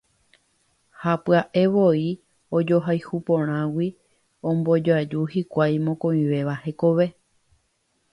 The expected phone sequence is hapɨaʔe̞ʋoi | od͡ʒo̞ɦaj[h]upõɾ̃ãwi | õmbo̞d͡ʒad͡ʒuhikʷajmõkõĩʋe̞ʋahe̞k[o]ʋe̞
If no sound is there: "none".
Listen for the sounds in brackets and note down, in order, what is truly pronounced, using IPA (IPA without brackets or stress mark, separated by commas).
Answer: h, o